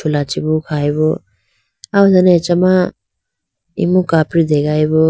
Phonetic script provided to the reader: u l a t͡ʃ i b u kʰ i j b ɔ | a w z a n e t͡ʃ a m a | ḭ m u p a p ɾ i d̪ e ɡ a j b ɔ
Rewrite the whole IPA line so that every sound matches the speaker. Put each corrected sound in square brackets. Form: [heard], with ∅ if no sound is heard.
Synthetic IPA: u l a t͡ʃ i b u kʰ [a] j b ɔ | a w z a n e t͡ʃ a m a | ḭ m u [k] a p ɾ i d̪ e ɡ a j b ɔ